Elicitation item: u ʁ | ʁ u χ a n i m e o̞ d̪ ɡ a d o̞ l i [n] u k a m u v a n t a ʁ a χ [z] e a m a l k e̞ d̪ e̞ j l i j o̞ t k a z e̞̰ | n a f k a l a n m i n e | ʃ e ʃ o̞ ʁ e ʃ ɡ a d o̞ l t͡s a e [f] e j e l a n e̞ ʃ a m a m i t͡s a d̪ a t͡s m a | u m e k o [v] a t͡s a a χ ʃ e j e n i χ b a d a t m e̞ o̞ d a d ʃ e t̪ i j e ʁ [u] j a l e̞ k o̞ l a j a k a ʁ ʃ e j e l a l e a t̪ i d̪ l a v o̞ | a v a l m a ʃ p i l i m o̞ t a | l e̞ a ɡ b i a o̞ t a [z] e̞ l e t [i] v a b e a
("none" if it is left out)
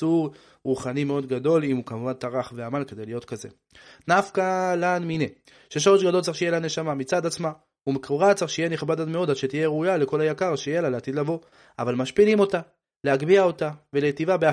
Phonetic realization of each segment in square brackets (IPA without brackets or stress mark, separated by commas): m, v, ʃ, ʁ, u, v, i